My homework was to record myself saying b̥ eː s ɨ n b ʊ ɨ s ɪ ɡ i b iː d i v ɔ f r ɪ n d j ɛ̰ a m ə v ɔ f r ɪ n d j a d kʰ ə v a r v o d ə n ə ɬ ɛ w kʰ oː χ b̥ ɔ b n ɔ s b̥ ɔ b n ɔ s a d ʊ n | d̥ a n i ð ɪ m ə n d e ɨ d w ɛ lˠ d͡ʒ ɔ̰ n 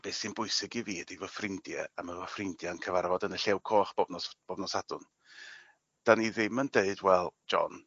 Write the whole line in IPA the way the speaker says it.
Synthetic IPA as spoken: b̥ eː s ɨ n b ʊ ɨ s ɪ ɡ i v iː d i v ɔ f r ɪ n d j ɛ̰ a m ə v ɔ f r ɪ n d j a n kʰ ə v a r v ɔ d ə n ə ɬ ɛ w kʰ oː χ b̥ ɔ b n ɔ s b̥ ɔ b n ɔ s a d ʊ n | d̥ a n i ð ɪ m ə n d e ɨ d w ɛ lˠ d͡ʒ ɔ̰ n